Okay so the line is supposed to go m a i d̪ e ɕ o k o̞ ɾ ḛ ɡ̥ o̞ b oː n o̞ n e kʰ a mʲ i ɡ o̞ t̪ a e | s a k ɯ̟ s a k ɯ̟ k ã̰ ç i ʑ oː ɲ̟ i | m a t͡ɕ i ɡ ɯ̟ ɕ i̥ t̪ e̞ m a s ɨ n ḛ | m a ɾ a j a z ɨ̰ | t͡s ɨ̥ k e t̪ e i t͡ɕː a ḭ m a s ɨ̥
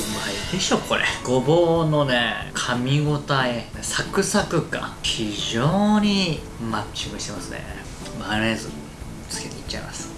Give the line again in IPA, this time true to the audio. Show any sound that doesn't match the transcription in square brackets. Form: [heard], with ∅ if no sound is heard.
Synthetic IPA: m a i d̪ e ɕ o k o̞ ɾ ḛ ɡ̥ o̞ b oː n o̞ n e kʰ a mʲ i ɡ o̞ t̪ a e | s a k ɯ̟ s a k ɯ̟ k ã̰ ç i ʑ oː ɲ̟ i | m a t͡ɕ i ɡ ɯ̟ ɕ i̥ t̪ e̞ m a s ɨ n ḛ | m a ɾ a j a z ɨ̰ | t͡s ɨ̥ k e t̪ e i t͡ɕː a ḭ m a s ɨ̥